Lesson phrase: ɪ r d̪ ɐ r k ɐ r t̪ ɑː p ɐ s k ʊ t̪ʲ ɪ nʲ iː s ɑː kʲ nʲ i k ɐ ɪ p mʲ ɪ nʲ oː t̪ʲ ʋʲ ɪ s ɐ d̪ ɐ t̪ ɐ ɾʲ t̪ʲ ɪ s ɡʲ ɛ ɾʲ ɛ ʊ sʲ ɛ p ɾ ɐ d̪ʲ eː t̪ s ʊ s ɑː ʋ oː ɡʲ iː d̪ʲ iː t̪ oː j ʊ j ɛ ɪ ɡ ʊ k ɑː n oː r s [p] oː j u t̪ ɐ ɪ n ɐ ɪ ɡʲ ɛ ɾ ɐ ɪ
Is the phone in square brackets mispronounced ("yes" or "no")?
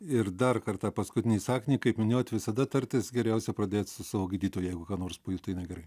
no